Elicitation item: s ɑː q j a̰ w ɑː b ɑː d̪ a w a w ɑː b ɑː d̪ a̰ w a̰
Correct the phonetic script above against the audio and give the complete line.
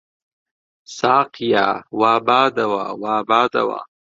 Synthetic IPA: s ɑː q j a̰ w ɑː b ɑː d̪ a w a w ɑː b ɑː d̪ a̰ w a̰